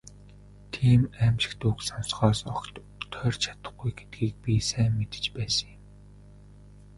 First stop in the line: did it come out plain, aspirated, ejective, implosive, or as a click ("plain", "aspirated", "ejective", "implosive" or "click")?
aspirated